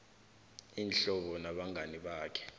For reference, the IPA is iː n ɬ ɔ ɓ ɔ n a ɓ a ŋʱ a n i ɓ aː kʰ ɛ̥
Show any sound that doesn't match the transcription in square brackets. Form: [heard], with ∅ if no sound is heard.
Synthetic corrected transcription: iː n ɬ ɔ ɓ ɔ n a ɓ a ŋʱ a n i ɓ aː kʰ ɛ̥